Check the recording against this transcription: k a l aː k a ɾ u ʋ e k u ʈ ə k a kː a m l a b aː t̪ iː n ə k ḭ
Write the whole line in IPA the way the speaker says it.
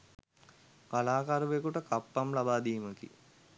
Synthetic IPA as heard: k a l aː k a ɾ u ʋ e k u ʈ ə k a pː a m l a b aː d̪ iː m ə k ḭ